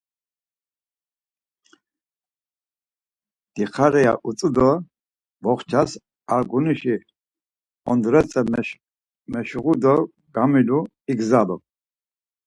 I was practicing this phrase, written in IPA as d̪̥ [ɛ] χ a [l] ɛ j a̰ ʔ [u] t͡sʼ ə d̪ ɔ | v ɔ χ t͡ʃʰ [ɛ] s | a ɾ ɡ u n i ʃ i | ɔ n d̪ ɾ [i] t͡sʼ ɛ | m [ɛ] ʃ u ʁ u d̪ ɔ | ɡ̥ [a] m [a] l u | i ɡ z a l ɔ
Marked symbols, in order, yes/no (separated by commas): no, no, yes, no, no, yes, yes, no